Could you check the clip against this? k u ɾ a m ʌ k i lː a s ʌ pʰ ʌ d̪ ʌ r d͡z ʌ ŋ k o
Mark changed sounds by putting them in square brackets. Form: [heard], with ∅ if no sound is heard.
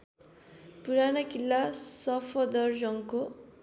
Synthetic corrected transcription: [p] u ɾ a [n] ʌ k i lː a s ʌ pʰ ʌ d̪ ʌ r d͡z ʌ ŋ k o

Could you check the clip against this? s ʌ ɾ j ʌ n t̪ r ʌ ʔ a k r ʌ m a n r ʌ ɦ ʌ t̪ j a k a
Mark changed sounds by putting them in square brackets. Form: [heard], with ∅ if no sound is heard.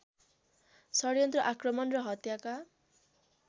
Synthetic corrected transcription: s ʌ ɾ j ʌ n t̪ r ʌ ʔ a k r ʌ m [ʌ] n r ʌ ɦ ʌ t̪ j a k a

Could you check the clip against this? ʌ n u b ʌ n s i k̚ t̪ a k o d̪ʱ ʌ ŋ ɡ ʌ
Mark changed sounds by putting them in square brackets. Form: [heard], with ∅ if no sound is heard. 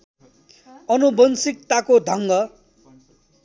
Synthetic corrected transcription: ʌ n u b ʌ n s i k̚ t̪ a k o d̪ʱ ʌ ŋ ɡ ʌ

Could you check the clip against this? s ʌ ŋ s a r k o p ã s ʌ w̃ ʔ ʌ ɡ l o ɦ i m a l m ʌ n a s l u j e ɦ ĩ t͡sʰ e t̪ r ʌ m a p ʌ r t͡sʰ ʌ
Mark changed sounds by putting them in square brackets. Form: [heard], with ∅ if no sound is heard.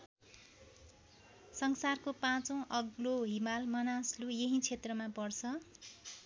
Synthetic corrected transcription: s ʌ ŋ s a r k o p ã [t͡s] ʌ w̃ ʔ ʌ ɡ l o ɦ i m a l m ʌ n a s l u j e ɦ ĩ t͡sʰ e t̪ r ʌ m a p ʌ r t͡sʰ ʌ

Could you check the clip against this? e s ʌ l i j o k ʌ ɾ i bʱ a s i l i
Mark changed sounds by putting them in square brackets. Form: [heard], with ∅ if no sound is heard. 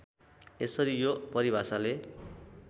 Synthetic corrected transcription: e s ʌ [ɾ] i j o [p] ʌ ɾ i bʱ a s [a] l [e]

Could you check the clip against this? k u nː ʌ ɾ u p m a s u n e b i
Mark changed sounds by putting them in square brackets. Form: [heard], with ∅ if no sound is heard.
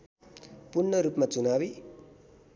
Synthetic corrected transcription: [p] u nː ʌ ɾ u p m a [t͡s] u n [a] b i

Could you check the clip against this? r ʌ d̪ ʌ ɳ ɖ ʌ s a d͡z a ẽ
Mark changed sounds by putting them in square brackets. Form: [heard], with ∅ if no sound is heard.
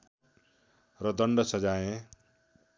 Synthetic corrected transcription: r ʌ d̪ ʌ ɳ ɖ ʌ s [ʌ] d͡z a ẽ

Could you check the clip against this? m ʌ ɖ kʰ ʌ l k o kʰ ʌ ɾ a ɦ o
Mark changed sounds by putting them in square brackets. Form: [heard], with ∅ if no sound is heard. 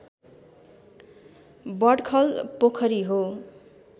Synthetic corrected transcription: [b] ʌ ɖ kʰ ʌ l [p] o kʰ ʌ ɾ [i] ɦ o

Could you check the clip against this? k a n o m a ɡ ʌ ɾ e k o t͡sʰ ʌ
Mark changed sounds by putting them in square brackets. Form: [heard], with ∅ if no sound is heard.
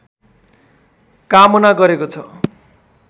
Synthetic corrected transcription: k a [m] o [n] a ɡ ʌ ɾ e k o t͡sʰ ʌ

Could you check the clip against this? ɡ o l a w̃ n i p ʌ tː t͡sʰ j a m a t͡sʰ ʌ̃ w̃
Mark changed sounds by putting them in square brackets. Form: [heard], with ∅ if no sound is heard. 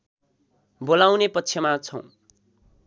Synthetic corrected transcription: [b] o l a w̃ n [e] p ʌ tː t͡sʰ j [ʌ] m a t͡sʰ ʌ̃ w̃

